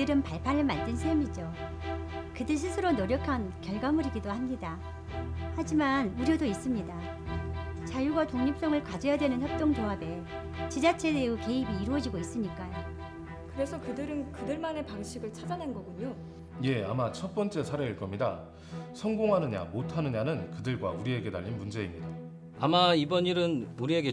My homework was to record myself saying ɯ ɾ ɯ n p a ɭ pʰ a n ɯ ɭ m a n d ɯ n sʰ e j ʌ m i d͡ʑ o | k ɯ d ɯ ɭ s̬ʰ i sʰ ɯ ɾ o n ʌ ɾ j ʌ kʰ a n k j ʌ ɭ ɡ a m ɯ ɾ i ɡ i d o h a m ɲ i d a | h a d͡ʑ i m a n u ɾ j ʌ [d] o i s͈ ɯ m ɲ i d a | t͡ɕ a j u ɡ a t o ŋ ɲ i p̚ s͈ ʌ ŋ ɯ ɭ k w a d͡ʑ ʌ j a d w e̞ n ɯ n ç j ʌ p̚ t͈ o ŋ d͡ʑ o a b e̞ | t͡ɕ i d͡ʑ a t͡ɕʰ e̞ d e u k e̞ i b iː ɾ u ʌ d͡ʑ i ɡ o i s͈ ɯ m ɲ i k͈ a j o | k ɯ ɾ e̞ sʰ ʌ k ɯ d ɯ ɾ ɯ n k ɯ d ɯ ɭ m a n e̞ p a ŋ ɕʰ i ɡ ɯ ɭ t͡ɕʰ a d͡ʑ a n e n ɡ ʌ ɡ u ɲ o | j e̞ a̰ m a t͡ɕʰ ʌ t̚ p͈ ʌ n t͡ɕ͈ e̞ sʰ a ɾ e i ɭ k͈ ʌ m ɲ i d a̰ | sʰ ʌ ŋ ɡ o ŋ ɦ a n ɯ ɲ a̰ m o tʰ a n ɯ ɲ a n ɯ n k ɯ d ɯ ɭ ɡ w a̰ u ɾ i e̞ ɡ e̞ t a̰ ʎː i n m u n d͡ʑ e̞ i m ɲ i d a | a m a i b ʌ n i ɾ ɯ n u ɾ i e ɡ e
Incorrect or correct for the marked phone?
correct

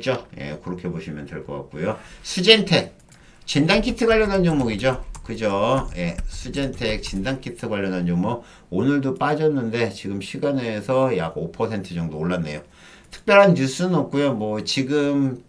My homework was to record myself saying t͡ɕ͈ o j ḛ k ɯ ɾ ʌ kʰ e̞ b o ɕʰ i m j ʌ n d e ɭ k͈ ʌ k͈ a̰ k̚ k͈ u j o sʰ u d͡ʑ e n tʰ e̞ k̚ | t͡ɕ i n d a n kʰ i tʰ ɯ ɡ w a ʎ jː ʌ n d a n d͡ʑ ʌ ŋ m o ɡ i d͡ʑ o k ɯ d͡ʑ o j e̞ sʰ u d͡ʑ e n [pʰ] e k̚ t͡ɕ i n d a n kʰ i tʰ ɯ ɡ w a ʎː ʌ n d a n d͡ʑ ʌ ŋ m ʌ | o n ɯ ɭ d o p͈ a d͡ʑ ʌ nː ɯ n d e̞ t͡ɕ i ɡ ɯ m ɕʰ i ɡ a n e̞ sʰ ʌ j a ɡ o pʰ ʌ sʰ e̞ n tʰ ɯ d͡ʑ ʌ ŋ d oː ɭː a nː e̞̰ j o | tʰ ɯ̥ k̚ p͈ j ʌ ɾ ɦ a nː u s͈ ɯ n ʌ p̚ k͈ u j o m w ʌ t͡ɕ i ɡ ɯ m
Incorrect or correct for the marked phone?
incorrect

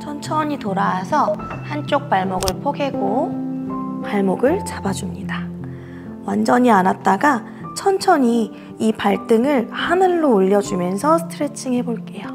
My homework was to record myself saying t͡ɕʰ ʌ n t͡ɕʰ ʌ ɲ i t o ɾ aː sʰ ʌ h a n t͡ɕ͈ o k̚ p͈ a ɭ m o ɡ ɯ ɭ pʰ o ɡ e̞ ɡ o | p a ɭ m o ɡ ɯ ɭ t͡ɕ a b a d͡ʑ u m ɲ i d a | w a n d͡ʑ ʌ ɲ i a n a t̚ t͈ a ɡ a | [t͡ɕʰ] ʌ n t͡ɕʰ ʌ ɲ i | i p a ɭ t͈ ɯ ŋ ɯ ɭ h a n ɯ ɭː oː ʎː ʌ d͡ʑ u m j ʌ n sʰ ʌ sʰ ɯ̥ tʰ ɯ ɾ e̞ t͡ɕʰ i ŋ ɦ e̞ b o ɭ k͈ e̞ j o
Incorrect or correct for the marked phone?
correct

